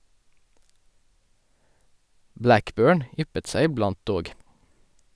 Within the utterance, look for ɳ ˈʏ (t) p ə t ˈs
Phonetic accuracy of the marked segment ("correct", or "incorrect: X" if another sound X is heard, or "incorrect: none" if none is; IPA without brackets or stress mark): incorrect: none